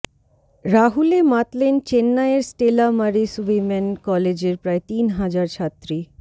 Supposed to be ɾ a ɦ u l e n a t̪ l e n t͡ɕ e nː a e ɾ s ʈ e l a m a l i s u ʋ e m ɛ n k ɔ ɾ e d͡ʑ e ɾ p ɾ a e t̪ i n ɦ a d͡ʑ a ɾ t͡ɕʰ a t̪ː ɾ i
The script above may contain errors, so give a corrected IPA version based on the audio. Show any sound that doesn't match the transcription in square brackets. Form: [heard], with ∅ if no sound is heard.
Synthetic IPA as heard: ɾ a ɦ u l e [m] a t̪ l e n t͡ɕ e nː a e ɾ s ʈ e l a m a [ɾ] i s u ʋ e m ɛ n k ɔ [l] e d͡ʑ e ɾ p ɾ a e t̪ i n ɦ a d͡ʑ a ɾ t͡ɕʰ a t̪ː ɾ i